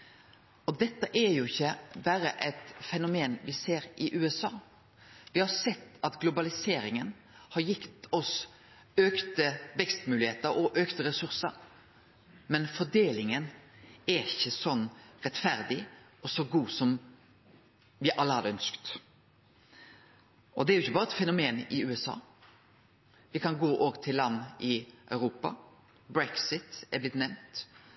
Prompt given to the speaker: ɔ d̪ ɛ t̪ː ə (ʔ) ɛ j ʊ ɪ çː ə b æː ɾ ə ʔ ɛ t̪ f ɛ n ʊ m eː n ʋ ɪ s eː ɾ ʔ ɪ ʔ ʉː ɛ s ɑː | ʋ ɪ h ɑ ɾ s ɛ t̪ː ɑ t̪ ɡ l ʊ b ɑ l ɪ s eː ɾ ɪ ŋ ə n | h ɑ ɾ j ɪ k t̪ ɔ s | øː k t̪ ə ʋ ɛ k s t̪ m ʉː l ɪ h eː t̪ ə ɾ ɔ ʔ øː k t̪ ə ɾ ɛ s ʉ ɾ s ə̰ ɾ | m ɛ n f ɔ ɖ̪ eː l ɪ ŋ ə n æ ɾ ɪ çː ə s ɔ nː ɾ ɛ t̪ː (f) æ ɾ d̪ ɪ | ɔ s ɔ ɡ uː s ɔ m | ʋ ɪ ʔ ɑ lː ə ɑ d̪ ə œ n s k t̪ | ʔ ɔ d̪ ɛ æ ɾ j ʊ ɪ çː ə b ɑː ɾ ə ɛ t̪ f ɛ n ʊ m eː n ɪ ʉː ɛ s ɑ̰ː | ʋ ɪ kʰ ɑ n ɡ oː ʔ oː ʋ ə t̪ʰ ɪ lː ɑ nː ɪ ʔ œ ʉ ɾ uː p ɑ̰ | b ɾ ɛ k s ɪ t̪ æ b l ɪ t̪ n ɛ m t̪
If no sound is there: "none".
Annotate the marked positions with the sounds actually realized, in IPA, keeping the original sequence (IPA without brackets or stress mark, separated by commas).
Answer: ʔ, f